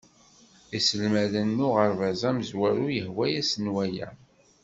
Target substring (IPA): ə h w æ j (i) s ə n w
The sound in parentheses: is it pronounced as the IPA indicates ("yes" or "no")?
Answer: no